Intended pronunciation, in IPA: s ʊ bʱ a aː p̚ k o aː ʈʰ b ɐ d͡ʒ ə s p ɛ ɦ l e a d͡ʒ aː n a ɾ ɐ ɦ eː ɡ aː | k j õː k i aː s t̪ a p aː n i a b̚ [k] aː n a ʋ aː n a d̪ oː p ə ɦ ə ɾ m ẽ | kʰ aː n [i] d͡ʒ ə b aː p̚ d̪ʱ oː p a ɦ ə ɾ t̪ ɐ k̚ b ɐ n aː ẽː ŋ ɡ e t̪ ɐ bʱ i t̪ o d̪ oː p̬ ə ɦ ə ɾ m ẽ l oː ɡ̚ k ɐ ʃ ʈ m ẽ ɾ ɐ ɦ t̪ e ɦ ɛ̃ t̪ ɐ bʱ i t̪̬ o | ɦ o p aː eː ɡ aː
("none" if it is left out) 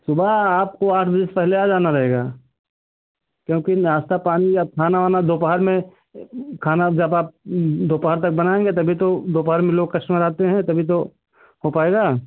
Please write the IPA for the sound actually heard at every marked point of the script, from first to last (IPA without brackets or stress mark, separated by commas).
kʰ, a